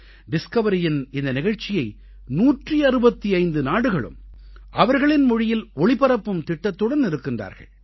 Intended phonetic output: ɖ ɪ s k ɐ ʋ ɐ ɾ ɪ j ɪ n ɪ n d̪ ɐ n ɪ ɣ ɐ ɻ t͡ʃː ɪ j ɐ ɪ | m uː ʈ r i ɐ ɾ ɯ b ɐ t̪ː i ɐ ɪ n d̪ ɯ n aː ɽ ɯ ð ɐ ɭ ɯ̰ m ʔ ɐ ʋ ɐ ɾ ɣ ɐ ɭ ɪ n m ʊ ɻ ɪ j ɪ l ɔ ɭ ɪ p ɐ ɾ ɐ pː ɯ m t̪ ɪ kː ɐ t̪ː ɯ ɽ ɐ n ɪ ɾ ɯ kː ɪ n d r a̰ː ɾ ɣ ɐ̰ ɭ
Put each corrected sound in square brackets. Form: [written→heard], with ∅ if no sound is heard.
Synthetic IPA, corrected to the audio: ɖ ɪ s k ɐ ʋ ɐ ɾ ɪ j ɪ n ɪ n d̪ ɐ n ɪ ɣ ɐ ɻ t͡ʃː ɪ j ɐ ɪ | [m→n] uː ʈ r i ɐ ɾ ɯ b ɐ t̪ː i ɐ ɪ n d̪ ɯ n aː ɽ ɯ [ð→ɣ] ɐ ɭ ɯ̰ m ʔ ɐ ʋ ɐ ɾ ɣ ɐ ɭ ɪ n m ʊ ɻ ɪ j ɪ l ɔ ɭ ɪ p ɐ ɾ ɐ pː ɯ m t̪ ɪ [kː→ʈː] ɐ t̪ː ɯ ɽ ɐ n ɪ ɾ ɯ kː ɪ n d r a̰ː ɾ ɣ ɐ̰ ɭ